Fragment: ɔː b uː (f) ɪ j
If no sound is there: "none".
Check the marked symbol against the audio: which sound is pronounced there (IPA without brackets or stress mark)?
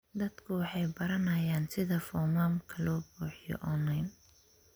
ħ